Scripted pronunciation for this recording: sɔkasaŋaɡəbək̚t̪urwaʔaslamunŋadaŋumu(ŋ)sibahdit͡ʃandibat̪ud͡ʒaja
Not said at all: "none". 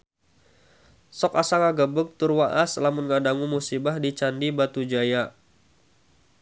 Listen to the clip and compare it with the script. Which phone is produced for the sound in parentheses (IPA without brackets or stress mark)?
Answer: none